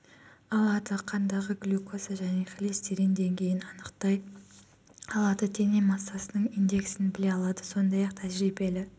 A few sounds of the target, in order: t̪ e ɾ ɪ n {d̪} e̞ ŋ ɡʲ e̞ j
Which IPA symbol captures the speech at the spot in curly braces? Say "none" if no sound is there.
d̪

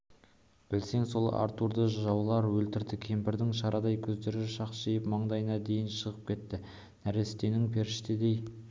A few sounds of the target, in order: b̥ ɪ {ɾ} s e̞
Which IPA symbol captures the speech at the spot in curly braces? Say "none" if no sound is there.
l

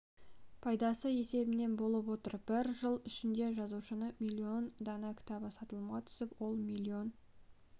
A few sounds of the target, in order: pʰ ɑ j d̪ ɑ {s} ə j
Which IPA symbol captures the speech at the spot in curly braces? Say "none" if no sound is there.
s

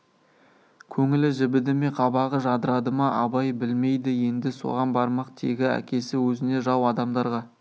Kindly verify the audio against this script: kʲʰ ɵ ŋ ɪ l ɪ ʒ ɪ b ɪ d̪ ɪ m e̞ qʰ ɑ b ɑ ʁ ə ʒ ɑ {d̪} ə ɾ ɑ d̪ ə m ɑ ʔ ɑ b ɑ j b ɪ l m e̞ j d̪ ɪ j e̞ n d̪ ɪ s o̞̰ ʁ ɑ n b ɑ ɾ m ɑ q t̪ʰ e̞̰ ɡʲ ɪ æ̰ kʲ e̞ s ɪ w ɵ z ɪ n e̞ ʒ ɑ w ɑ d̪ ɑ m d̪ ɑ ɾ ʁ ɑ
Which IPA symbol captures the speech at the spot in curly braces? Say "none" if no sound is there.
d̪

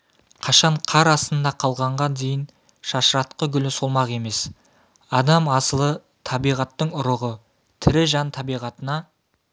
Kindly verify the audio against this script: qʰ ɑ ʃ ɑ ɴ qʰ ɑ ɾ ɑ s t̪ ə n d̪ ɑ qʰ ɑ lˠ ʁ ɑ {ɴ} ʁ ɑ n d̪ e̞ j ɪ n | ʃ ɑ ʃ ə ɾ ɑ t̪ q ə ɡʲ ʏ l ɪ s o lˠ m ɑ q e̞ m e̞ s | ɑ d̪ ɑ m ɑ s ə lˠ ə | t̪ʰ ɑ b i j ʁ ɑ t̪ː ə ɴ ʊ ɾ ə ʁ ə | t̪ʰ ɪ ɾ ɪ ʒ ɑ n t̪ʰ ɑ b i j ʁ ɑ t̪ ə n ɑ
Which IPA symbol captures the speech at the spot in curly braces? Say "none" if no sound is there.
ɴ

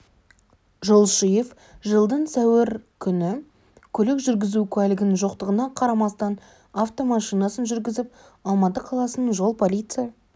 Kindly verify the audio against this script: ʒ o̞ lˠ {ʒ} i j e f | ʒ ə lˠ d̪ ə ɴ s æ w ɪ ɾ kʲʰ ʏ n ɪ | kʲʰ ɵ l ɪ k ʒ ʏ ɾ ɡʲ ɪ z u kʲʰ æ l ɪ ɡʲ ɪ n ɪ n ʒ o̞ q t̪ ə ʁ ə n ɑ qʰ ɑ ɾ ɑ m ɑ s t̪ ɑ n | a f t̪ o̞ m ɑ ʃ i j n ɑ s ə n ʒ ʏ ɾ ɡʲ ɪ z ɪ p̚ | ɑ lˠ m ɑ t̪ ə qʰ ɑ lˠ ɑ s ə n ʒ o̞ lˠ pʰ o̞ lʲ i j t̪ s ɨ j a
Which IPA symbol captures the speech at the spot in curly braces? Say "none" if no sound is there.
ʃ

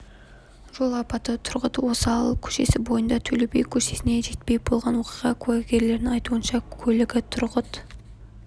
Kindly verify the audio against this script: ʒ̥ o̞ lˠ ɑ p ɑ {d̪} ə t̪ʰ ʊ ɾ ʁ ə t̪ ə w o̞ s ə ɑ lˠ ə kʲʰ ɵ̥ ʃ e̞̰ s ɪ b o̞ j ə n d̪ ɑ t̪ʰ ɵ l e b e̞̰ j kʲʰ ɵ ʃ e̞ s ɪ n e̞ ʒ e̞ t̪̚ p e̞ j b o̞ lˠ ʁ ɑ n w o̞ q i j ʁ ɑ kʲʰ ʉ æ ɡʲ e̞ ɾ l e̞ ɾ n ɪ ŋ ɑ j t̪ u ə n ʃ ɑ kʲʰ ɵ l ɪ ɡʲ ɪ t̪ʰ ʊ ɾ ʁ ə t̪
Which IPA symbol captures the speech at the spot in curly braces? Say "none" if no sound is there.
t̪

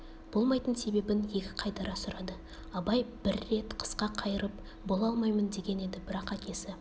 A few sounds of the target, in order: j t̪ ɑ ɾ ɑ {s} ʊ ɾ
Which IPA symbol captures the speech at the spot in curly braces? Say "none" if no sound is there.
s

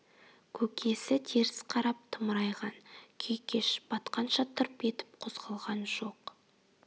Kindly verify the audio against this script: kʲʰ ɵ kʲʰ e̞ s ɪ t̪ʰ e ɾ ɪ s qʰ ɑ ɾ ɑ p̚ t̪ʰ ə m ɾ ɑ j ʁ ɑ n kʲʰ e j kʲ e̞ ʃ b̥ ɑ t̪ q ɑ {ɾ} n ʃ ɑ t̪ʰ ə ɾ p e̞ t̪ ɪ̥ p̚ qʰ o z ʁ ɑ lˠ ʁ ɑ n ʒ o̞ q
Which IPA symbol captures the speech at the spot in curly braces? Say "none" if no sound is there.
none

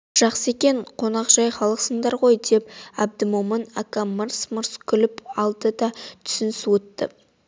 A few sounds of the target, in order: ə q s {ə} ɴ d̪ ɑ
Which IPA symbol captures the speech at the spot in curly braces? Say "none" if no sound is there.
ə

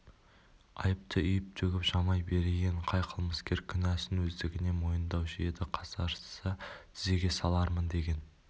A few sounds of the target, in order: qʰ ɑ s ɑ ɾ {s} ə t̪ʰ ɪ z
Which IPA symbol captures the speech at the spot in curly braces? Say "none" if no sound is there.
s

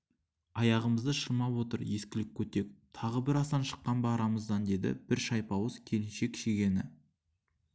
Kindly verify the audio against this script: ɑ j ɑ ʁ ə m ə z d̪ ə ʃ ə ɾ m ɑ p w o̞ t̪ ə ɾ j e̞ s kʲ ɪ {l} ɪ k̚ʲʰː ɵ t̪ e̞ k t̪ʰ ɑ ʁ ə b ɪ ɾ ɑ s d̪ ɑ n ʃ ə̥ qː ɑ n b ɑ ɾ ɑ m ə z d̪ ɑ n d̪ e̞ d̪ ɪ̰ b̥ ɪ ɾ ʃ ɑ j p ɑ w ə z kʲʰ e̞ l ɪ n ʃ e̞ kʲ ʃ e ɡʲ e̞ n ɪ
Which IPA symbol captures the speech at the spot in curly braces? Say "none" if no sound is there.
l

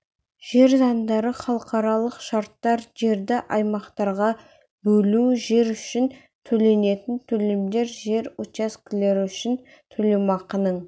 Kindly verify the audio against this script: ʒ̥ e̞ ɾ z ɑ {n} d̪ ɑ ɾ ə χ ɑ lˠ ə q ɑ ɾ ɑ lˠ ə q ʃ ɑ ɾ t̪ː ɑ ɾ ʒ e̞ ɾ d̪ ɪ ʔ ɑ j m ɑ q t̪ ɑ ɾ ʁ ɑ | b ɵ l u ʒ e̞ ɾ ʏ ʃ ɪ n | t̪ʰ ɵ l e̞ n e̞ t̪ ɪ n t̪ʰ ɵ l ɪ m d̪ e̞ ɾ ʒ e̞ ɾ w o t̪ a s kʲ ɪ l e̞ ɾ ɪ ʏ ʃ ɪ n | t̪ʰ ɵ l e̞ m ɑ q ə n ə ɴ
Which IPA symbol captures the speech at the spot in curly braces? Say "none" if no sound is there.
n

